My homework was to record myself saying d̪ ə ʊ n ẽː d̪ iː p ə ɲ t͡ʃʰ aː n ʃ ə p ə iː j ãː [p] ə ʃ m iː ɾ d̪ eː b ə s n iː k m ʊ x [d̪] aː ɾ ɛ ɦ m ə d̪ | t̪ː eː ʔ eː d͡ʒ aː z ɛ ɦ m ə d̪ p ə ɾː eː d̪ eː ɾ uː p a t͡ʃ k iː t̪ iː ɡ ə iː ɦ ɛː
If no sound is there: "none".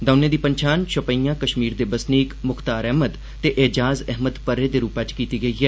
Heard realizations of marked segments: k, t̪

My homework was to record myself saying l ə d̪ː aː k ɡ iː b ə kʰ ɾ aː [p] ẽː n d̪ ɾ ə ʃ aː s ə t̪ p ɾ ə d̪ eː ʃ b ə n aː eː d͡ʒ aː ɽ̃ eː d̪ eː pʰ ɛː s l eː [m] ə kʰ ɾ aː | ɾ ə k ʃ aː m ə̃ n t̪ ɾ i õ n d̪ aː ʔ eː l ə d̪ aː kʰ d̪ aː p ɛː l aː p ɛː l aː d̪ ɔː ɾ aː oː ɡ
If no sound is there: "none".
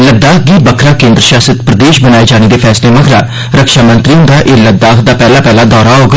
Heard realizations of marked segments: k, m

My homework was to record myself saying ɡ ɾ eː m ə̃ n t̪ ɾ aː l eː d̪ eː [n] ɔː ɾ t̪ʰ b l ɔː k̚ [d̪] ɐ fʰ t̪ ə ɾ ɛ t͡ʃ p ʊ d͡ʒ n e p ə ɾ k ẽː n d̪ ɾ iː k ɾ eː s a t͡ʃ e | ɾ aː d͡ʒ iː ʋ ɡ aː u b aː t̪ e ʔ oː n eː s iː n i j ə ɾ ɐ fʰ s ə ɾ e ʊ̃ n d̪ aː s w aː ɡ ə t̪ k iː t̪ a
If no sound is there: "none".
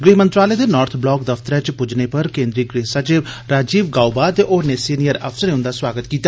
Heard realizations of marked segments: n, d̪

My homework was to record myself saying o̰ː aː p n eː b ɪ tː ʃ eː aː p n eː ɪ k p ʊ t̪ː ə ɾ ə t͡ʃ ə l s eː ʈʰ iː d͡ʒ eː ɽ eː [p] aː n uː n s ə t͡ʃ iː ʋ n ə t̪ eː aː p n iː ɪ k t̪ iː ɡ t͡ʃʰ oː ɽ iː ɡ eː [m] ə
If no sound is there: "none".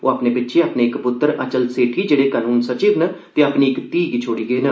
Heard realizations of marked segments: k, n

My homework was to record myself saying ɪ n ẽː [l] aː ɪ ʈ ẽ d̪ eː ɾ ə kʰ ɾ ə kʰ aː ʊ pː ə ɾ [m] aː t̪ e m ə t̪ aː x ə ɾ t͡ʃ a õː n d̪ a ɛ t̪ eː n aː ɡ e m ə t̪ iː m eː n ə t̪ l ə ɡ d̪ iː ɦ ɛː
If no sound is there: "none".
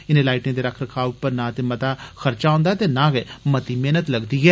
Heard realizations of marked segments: l, n

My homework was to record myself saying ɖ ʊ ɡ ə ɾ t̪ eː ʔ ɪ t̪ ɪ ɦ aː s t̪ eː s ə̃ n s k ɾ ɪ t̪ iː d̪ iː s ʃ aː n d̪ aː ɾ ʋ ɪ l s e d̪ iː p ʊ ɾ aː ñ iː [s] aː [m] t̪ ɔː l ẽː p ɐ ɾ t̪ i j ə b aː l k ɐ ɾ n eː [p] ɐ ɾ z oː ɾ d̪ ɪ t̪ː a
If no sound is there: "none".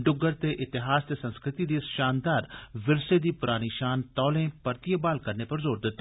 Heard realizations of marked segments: ʃ, n, p

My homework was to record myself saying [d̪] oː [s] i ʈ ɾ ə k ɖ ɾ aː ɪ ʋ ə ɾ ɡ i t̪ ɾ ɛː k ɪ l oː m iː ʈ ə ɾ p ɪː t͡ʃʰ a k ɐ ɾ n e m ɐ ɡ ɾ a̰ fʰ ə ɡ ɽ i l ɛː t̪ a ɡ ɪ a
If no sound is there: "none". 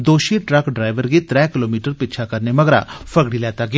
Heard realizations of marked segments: d̪, ʃ

